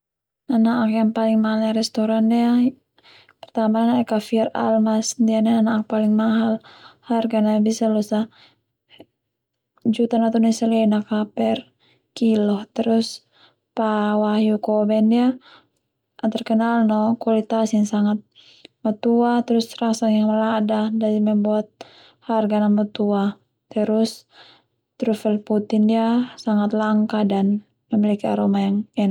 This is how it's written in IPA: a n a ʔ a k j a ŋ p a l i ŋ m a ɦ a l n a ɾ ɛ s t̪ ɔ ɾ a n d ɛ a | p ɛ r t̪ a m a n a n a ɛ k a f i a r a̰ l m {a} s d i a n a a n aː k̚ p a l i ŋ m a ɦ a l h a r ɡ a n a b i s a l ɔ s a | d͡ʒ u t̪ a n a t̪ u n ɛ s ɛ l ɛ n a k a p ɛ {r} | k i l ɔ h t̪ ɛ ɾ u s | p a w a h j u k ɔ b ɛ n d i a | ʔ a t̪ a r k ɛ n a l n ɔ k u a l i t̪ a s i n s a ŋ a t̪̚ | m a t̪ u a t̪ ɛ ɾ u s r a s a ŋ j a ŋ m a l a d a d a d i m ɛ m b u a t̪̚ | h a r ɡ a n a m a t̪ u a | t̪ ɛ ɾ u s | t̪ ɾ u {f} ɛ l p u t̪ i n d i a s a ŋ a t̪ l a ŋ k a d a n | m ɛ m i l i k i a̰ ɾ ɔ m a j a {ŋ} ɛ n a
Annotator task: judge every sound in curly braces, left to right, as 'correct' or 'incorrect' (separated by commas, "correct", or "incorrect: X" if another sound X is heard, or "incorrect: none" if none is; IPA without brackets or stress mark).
correct, correct, correct, correct